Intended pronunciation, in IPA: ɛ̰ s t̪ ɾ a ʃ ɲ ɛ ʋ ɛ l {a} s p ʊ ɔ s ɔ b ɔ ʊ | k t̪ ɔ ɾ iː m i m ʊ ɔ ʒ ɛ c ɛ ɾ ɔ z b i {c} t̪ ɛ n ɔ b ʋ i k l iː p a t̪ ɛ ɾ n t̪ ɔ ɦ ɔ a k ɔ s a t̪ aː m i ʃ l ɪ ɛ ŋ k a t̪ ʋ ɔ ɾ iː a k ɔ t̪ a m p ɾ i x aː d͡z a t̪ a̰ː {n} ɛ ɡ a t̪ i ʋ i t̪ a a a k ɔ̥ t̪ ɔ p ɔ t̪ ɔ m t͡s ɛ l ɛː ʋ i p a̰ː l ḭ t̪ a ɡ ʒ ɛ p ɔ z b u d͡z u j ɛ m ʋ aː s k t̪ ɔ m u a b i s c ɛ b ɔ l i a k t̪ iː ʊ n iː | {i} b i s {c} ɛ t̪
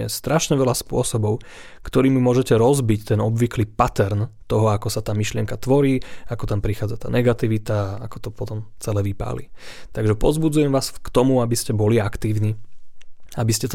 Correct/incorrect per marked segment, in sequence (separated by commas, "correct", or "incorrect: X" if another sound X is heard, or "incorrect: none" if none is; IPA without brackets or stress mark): correct, correct, correct, incorrect: a, correct